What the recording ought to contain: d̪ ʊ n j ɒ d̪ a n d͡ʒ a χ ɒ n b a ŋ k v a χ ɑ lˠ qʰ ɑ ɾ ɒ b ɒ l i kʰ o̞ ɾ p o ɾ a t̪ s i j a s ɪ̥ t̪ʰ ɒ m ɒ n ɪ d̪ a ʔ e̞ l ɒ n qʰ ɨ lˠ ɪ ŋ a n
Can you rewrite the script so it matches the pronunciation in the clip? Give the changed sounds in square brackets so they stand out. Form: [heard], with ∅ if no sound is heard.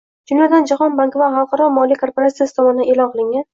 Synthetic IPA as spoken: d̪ ʊ n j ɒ d̪ a n d͡ʒ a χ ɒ n b a ŋ k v a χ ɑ lˠ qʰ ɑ ɾ ɒ [m] ɒ l i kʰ o̞ ɾ p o ɾ a t̪ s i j a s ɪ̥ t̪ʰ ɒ m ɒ n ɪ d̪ a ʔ e̞ l ɒ n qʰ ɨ lˠ ɪ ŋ a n